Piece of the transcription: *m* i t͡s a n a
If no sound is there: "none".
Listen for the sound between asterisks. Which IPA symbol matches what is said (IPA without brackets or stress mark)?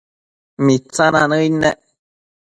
m